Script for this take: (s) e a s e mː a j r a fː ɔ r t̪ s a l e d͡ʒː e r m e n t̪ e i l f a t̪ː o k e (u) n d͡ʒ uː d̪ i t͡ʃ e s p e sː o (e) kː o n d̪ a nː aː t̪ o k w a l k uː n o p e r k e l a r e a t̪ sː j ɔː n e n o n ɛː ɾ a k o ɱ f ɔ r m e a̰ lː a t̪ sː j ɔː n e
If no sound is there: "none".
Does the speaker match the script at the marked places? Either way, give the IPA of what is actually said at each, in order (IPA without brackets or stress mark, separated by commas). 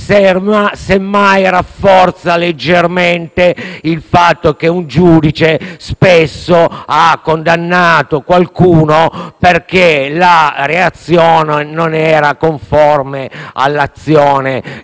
s, u, a